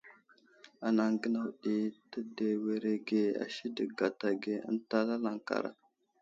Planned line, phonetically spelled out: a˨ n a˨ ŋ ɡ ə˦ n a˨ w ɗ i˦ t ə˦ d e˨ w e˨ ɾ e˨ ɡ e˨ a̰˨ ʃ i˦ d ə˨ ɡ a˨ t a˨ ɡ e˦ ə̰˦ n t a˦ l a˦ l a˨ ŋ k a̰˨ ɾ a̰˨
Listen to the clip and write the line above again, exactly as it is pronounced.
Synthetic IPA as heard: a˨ n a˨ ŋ ɡ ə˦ n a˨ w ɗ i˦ t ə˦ d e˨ w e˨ ɾ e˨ ɡ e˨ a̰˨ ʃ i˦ d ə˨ ɡ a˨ t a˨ ɡ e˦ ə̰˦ n t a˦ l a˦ l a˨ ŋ k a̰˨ ɾ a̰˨